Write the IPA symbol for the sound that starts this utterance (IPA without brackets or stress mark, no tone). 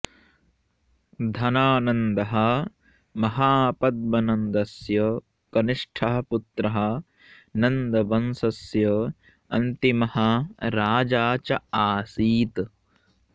d̪ʱ